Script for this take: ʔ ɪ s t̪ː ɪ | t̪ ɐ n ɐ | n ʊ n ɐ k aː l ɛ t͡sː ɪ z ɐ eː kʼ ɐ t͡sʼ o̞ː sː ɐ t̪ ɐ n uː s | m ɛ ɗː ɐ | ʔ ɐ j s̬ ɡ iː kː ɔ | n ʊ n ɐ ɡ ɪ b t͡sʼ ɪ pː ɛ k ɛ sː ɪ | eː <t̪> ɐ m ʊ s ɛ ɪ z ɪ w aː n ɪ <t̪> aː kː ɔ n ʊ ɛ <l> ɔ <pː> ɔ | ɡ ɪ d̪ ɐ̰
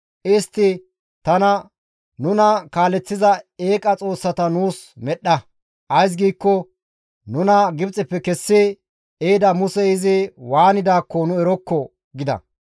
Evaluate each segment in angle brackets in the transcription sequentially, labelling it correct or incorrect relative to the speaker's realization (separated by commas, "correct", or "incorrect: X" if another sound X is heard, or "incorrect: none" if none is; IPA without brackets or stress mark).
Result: incorrect: d̪, incorrect: d̪, incorrect: ɾ, incorrect: kː